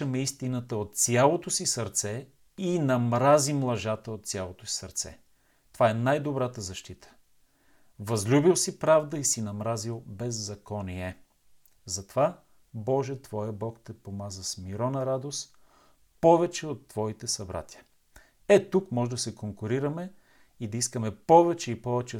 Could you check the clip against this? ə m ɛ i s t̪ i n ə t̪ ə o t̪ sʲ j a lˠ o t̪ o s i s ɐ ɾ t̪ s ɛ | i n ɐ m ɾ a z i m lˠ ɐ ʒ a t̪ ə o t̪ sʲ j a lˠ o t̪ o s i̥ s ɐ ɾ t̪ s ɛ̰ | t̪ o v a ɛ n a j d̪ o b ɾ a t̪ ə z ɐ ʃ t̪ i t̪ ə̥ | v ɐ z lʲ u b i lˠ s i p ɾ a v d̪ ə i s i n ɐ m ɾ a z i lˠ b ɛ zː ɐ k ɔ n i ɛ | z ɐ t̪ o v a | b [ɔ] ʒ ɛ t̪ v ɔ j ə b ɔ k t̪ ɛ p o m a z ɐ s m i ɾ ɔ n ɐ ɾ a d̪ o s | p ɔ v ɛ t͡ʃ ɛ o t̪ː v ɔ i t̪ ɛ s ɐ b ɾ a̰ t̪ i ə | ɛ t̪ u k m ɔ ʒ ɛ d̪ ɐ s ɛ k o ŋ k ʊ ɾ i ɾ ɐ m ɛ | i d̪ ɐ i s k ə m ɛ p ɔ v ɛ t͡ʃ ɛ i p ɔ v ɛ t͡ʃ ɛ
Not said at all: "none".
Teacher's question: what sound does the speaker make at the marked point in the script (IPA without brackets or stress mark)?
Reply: ɔ